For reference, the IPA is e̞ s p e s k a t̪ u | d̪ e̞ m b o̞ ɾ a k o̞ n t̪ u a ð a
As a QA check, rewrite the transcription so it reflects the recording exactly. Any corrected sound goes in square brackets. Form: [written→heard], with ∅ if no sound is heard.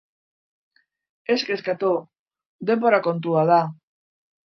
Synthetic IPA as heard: e̞ s [p→k] e s k a t̪ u | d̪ e̞ m b o̞ ɾ a k o̞ n t̪ u a ð a